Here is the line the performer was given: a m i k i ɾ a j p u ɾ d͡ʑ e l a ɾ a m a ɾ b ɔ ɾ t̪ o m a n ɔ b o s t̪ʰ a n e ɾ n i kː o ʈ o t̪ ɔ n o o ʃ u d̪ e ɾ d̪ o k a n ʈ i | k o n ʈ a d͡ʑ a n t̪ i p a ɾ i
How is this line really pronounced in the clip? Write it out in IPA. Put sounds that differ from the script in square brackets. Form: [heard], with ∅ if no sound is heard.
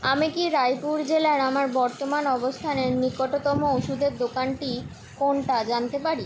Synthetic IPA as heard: a m i k i ɾ a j p u ɾ d͡ʑ e l a ɾ a m a ɾ b ɔ ɾ t̪ o m a n ɔ b o s t̪ʰ a n e ɾ n i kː o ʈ o t̪ ɔ [m] o o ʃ u d̪ e ɾ d̪ o k a n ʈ i | k o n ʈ a d͡ʑ a n t̪ [e] p a ɾ i